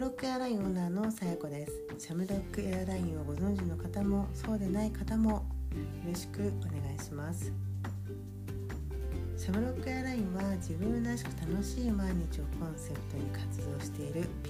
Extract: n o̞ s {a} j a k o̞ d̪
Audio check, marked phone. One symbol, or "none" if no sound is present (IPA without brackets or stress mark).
a